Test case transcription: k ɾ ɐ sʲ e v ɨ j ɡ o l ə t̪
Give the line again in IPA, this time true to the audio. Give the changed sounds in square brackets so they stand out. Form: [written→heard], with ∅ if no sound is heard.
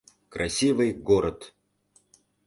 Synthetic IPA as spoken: k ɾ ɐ sʲ [e→i] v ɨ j ɡ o [l→ɾ] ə t̪